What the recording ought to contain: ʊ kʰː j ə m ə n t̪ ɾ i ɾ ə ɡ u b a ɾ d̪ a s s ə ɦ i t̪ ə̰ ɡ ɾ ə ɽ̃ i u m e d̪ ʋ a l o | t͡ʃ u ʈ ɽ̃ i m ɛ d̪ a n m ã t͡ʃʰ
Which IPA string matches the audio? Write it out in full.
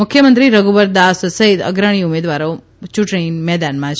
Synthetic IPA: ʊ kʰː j ə m ə n t̪ ɾ i ɾ ə ɡ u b ə ɾ d̪ a s s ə ɦ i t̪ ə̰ ɡ ɾ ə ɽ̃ i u m e d̪ ʋ a ɾ o | t͡ʃ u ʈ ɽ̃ i m ɛ d̪ a n m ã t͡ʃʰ